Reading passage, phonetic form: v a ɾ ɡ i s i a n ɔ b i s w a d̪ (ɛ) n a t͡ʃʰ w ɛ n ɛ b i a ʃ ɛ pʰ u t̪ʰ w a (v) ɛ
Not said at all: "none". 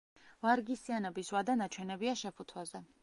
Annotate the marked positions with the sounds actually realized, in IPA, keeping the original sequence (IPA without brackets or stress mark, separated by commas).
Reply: a, z